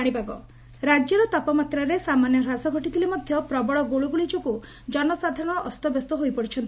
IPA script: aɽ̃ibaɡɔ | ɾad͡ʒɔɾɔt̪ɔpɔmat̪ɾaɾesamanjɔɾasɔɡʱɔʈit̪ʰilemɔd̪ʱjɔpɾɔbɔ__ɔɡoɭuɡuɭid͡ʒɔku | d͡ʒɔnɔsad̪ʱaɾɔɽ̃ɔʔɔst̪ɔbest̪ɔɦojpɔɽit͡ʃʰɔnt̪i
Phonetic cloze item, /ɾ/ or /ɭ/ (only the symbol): ɭ